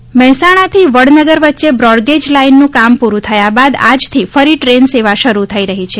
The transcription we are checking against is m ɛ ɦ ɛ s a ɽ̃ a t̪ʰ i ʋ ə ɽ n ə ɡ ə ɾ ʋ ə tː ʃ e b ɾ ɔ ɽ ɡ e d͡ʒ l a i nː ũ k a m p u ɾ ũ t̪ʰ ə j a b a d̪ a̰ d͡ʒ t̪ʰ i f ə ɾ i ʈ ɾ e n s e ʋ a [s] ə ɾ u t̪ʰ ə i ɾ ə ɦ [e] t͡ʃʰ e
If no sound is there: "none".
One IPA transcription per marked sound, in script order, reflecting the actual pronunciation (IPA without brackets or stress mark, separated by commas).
ʃ, i